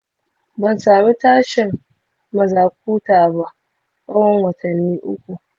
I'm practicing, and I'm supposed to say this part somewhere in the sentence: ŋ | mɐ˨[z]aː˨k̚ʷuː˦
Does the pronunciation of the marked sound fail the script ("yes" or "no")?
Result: no